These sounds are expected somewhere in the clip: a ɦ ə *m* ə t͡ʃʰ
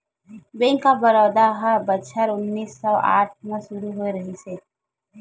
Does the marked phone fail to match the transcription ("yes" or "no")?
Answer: yes